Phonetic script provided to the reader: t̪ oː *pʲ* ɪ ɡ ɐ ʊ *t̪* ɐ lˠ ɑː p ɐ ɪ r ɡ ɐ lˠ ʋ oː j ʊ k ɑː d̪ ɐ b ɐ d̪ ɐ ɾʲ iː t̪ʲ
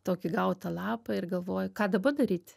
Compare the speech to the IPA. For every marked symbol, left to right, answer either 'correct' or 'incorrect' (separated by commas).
incorrect, correct